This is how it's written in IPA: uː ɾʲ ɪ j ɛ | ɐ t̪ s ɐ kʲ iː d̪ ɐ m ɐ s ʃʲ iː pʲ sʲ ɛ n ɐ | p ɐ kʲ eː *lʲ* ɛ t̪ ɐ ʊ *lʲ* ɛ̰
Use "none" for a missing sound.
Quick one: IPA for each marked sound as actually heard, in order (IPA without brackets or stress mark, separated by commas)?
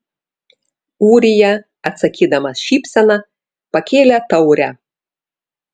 lʲ, ɾʲ